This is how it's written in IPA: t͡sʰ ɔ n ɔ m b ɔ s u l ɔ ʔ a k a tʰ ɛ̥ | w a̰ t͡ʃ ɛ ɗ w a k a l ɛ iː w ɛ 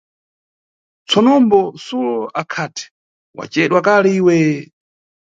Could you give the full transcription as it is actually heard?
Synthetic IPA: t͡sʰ ɔ n ɔ m b ɔ s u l ɔ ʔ a kʰ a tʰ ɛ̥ | w a̰ t͡ʃ ɛ ɗ w a k a l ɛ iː w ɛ